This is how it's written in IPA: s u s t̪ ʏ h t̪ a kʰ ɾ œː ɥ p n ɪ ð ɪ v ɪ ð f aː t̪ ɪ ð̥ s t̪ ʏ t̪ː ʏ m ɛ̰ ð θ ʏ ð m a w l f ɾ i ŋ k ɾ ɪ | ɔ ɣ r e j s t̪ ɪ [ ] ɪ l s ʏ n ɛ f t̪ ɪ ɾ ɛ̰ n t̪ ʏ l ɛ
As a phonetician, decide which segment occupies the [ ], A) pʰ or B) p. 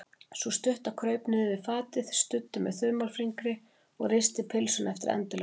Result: A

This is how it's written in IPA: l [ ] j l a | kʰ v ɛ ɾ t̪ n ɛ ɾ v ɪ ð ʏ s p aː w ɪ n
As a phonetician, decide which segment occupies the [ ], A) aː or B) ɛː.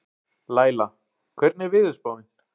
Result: A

